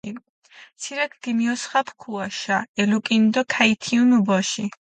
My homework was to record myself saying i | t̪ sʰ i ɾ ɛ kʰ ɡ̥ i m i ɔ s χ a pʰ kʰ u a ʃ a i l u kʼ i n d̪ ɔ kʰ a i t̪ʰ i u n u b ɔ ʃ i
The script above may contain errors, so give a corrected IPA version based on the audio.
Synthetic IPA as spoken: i | t̪ sʰ i ɾ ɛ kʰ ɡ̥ i m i ɔ s χ a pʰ kʰ u a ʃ a ɛ l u kʼ i n d̪ ɔ kʰ a i t̪ʰ i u n u b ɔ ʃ i